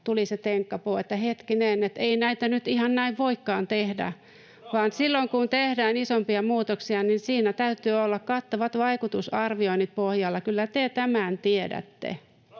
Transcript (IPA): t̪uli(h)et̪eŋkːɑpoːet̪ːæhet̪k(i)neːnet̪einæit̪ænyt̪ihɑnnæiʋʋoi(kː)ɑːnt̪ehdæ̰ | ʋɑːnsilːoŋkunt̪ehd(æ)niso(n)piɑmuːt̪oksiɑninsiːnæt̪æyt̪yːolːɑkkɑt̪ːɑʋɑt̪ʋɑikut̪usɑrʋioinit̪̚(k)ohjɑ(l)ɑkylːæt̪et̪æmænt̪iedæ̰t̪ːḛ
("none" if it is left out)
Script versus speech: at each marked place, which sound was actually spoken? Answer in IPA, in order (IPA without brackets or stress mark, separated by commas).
s, i, kː, æː, m, p, lː